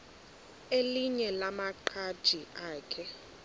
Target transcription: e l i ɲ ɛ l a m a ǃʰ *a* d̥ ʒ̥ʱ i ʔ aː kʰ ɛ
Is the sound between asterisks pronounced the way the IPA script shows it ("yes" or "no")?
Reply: yes